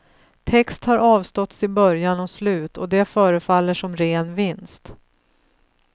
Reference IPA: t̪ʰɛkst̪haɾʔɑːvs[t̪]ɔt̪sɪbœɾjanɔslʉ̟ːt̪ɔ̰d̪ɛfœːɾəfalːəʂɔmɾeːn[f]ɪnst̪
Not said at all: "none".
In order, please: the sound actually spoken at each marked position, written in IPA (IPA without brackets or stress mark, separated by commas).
t̪, v